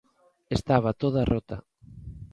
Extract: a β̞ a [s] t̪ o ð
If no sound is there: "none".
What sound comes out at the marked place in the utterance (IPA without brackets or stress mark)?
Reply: none